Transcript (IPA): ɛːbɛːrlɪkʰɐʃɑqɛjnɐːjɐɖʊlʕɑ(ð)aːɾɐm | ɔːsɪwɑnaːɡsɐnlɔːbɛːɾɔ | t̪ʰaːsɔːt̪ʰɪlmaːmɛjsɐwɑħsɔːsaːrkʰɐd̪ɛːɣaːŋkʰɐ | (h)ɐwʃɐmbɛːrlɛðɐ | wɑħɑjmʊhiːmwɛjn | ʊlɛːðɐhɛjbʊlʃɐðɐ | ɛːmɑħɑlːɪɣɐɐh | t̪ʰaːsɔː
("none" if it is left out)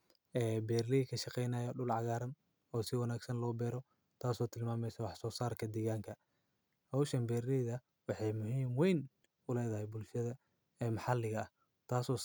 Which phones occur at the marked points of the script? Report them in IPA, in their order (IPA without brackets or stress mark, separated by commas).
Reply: ɣ, h